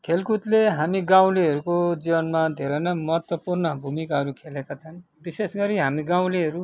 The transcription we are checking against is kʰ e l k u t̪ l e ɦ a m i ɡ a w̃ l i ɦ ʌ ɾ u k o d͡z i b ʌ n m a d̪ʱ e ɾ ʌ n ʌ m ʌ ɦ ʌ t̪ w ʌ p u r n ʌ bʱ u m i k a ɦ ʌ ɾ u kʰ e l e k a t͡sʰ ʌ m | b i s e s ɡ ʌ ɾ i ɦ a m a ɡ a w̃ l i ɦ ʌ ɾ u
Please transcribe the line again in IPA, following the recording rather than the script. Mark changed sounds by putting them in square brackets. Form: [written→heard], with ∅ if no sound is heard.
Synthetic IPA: kʰ e l k u t̪ l e ɦ a m i ɡ a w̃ l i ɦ ʌ ɾ u k o d͡z i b ʌ n m a d̪ʱ e ɾ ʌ n ʌ m ʌ ɦ ʌ t̪ w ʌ p u r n ʌ bʱ u m i k a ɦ ʌ ɾ u kʰ e l e k a t͡sʰ ʌ [m→n] | b i s e s ɡ ʌ ɾ i ɦ a m [a→i] ɡ a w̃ l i ɦ ʌ ɾ u